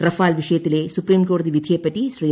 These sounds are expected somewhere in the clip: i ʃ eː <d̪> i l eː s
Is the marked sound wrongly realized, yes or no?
yes